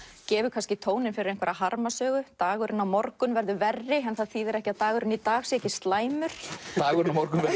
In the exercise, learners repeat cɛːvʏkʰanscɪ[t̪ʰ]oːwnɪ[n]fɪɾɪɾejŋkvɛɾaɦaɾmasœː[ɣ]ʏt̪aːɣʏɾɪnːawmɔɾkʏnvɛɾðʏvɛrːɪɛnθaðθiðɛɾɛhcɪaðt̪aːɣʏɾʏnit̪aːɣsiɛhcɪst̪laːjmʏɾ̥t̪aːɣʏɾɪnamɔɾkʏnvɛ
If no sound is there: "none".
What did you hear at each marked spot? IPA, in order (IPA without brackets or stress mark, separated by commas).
t̪ʰ, n, ɣ